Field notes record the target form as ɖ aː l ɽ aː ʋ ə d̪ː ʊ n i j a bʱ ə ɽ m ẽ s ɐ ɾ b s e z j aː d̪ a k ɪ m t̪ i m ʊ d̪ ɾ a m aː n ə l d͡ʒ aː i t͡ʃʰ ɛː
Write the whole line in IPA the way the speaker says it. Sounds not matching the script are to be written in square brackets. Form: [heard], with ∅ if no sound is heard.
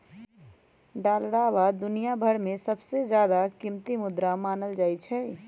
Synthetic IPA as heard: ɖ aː l ɽ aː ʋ [a] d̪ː ʊ n i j a bʱ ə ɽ m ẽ s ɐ [∅] b s e z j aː d̪ a k ɪ m t̪ i m ʊ d̪ ɾ a m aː n ə l d͡ʒ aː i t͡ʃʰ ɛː